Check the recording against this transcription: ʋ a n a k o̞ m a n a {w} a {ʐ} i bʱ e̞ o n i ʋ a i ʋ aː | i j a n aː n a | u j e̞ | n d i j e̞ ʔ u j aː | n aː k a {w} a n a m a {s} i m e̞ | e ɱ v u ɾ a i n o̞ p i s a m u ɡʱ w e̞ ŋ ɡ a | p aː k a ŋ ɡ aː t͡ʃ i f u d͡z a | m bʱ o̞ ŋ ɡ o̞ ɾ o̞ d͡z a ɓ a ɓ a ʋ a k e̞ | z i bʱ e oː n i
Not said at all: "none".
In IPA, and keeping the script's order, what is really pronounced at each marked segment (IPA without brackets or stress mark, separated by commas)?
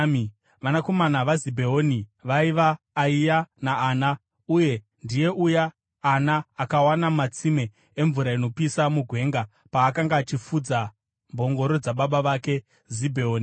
ʋ, z, w, t͡s